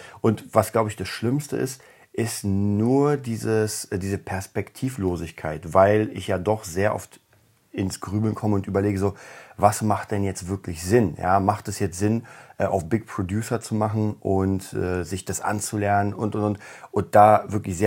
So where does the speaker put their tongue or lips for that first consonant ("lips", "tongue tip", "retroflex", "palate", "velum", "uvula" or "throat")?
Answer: throat